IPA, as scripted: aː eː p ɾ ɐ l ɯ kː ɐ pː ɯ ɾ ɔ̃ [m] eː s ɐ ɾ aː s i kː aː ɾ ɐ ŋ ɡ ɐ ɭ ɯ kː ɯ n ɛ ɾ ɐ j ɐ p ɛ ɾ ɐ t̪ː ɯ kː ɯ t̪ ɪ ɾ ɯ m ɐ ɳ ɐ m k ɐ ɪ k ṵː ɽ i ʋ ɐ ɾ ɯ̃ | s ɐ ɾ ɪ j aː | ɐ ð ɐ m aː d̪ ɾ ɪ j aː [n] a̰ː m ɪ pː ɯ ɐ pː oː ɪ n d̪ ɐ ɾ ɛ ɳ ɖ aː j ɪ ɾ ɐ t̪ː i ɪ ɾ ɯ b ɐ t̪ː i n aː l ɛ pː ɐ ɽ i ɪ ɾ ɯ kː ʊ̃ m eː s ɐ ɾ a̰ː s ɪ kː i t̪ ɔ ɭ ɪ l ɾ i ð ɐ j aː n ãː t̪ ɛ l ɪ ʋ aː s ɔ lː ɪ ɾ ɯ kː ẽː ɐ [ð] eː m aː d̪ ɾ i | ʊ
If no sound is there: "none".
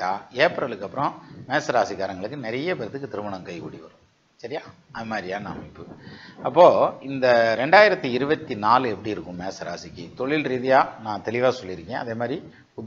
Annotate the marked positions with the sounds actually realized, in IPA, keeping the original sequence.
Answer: m, n, ð

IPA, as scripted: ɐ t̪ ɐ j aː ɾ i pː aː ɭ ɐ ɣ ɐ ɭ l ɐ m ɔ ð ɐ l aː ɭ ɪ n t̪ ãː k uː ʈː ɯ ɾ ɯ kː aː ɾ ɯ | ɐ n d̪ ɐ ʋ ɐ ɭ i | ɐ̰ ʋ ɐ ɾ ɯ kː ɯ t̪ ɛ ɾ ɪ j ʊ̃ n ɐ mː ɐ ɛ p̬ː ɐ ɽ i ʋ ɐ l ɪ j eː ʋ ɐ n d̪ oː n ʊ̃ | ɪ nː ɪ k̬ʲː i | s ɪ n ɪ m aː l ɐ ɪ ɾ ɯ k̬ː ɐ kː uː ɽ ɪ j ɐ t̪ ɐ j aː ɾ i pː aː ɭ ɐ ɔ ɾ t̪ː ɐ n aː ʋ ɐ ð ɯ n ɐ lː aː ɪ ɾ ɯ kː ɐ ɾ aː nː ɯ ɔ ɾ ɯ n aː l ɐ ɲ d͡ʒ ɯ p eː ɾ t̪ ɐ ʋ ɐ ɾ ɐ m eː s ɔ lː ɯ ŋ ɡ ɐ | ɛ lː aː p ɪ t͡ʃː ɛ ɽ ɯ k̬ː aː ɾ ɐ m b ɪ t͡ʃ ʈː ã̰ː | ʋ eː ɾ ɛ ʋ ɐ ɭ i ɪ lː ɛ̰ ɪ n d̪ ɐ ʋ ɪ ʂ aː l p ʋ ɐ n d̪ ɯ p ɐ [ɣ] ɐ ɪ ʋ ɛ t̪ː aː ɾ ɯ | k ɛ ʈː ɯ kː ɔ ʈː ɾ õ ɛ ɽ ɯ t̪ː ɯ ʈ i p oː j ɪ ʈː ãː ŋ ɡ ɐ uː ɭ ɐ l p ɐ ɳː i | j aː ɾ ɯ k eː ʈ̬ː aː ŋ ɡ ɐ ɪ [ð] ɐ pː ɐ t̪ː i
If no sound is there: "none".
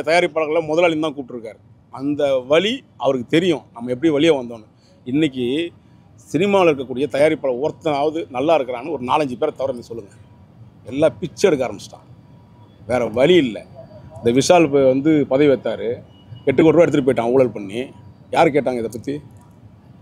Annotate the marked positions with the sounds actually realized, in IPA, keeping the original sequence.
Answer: ð, ð

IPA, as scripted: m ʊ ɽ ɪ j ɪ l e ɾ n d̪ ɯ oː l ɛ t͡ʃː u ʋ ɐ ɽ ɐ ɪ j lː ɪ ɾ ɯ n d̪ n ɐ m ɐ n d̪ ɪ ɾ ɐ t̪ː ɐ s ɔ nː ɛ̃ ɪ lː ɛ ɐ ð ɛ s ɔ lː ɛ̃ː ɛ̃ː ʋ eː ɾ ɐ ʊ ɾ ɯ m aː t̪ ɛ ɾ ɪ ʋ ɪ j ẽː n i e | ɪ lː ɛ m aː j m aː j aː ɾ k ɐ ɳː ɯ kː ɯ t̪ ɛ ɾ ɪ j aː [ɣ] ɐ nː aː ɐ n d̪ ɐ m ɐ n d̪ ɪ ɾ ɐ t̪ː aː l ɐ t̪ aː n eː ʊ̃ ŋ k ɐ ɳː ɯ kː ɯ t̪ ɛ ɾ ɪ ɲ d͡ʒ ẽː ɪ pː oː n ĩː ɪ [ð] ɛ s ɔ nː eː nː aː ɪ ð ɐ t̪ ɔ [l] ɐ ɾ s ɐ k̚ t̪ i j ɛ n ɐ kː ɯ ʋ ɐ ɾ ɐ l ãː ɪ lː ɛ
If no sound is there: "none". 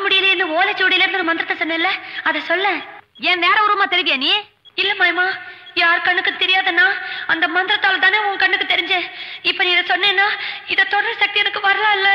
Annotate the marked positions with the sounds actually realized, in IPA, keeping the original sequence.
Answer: ð, ð, ɽ

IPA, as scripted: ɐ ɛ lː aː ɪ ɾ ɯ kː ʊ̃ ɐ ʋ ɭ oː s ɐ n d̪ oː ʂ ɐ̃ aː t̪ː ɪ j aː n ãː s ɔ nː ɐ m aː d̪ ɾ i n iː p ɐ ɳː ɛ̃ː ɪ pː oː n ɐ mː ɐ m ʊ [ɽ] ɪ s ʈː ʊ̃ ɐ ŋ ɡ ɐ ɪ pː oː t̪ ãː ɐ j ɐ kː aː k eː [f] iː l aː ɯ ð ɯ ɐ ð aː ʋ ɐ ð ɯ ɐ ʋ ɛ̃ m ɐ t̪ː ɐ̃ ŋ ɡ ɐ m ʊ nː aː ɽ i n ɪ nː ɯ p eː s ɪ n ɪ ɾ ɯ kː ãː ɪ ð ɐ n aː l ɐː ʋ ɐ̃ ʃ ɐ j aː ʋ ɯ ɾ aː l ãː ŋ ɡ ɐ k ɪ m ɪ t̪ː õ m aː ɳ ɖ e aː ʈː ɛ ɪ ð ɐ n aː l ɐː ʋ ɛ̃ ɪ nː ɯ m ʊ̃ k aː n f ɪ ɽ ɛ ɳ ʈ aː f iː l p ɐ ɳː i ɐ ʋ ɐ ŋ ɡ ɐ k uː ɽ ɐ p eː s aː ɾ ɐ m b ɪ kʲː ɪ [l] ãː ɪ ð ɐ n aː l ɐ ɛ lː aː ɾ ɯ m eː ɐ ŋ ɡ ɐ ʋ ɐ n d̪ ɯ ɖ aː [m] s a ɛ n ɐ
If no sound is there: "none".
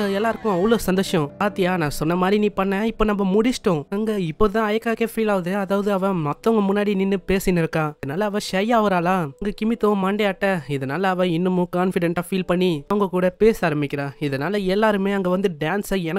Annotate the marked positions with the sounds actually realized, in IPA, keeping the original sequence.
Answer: ɽ, f, ɾ, n

